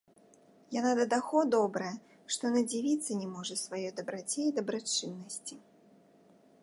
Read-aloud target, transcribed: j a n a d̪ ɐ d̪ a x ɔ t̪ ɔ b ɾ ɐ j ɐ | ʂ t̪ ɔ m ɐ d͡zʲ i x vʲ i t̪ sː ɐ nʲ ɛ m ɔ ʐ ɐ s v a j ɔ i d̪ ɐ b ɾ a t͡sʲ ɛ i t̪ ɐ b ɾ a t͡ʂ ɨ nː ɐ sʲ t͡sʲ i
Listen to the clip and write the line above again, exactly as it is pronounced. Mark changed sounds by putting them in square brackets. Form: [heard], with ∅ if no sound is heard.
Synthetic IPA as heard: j a n a d̪ ɐ d̪ a x ɔ [d̪] ɔ b ɾ ɐ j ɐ | ʂ t̪ ɔ [n] ɐ d͡zʲ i [∅] vʲ i t̪ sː ɐ nʲ ɛ m ɔ ʐ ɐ s v a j ɔ [j] d̪ ɐ b ɾ a t͡sʲ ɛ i [d̪] ɐ b ɾ a t͡ʂ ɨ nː ɐ sʲ t͡sʲ i